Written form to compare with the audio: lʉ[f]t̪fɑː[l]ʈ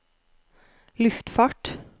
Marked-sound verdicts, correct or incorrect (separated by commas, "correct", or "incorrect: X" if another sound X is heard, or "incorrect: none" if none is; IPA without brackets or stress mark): correct, incorrect: none